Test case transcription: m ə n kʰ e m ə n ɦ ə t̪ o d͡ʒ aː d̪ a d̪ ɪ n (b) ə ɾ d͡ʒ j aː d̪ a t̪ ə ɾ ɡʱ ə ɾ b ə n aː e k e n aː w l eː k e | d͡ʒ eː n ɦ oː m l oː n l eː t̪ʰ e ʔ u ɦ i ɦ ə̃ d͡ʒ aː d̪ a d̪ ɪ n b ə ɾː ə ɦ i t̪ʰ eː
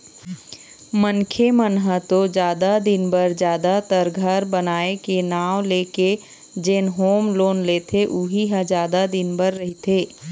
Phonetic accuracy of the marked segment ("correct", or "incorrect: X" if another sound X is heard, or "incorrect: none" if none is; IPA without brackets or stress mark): correct